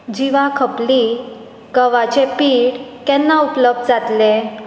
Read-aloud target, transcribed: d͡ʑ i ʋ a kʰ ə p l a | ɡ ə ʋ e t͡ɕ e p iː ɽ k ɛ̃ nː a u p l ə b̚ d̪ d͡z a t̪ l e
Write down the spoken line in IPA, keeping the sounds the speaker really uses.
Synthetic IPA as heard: d͡ʑ i ʋ a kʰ ə p l i | ɡ ə ʋ a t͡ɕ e p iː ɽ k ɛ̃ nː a u p l ə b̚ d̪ d͡z a t̪ l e

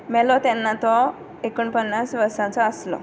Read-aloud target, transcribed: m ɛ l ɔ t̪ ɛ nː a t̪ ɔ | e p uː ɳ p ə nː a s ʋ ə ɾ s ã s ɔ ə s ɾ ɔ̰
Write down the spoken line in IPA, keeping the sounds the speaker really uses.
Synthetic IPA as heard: m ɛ l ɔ t̪ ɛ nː a t̪ ɔ | e k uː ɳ p ə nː a s ʋ ə ɾ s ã t͡s ɔ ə s l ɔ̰

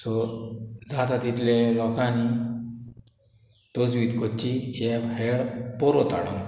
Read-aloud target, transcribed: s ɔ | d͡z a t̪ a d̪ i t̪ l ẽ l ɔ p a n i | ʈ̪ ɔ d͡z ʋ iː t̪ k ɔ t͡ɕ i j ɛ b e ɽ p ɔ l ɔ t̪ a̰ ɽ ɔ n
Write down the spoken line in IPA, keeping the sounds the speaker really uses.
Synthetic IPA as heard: s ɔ | d͡z a t̪ a t̪ i t̪ l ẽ l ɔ k a n i | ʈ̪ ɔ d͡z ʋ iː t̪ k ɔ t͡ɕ i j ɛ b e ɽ p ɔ ɾ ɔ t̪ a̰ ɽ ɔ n

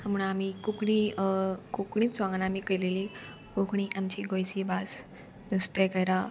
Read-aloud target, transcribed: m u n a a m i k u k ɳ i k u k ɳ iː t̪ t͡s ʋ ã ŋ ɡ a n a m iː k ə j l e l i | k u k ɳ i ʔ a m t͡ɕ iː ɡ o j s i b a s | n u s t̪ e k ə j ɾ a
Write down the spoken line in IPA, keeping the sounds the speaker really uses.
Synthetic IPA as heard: m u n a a m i k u k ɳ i k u k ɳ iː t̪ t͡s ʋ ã ŋ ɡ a n a m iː k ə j l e l i | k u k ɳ i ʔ a m t͡ɕ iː ɡ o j s i b a s | n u s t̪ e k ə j ɾ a

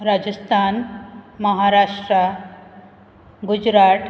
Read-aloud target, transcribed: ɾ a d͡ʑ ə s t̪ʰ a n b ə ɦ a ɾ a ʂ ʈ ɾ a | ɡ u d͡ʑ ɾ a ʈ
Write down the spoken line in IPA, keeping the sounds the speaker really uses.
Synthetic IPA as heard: ɾ a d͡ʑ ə s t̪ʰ a n m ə ɦ a ɾ a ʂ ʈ ɾ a | ɡ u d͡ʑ ɾ a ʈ

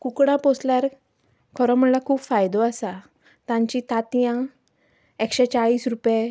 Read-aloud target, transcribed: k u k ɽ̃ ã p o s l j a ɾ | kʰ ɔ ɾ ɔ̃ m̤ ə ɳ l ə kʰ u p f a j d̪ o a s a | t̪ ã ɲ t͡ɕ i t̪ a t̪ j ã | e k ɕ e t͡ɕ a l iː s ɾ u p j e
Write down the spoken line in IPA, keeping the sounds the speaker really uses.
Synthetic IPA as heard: k u k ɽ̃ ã p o s l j a ɾ | kʰ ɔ ɾ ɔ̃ m̤ ə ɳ l a kʰ uː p f a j d̪ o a s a | t̪ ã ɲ t͡ɕ i t̪ a t̪ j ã | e k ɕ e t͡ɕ a ɭ iː s ɾ u p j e

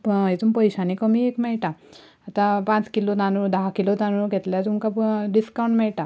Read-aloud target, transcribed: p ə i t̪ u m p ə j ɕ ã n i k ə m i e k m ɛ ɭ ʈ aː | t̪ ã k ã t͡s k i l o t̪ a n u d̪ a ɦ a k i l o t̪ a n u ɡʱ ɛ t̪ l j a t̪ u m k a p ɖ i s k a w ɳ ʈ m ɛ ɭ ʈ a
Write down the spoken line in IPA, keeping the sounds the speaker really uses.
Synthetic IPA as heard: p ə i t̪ u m p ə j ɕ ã n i k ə m i e k m ɛ ɭ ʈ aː | t̪ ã p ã t͡s k i l o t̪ a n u d̪ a ɦ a k i l o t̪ a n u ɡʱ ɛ t̪ l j a t̪ u m k a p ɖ i s k a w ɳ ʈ m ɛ ɭ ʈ a

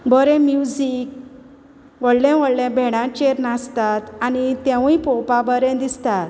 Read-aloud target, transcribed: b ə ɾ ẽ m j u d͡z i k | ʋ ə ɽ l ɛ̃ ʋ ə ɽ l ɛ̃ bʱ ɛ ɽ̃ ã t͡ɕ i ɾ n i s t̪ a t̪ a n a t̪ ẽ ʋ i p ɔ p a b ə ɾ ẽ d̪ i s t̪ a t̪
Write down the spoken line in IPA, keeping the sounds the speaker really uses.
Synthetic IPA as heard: b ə ɾ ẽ m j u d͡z i k | ʋ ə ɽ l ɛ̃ ʋ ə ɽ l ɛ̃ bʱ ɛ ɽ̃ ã t͡ɕ e ɾ n a s t̪ a t̪ a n i t̪ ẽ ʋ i p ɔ p a b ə ɾ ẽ d̪ i s t̪ a t̪

